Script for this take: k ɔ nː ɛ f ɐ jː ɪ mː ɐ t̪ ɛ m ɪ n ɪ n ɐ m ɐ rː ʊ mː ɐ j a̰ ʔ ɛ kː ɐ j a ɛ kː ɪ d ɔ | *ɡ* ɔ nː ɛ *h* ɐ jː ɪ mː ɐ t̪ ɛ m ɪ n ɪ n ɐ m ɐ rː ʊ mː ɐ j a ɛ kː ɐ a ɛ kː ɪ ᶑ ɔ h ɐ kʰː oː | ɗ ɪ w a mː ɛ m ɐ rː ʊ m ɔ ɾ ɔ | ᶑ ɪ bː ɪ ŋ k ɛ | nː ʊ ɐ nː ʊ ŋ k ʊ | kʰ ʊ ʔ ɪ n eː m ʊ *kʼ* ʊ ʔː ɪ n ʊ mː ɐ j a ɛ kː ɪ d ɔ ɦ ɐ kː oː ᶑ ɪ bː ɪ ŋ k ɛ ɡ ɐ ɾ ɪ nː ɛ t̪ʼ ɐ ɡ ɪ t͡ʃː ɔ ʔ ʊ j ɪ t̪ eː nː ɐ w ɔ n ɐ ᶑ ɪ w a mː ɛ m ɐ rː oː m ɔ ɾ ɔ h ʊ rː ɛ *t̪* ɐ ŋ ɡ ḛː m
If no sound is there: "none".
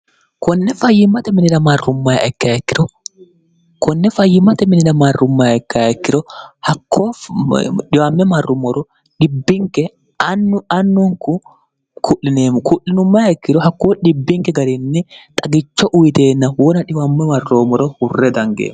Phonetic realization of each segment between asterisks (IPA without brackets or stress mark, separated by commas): k, f, k, d̪